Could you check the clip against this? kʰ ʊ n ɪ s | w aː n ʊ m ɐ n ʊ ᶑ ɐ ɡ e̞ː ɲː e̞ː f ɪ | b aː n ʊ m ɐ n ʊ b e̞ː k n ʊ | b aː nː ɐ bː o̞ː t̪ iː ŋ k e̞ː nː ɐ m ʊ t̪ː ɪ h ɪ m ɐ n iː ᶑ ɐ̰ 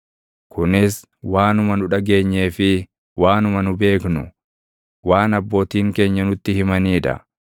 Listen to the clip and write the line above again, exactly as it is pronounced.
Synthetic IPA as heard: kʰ ʊ n ɪ s | w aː n ʊ m ɐ n ʊ ᶑ ɐ ɡ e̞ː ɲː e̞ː f ɪ | w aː n ʊ m ɐ n ʊ b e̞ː k n ʊ | w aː n ɐ bː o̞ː t̪ iː ŋ k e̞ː ɲː ɐ n ʊ t̪ː ɪ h ɪ m ɐ n iː ᶑ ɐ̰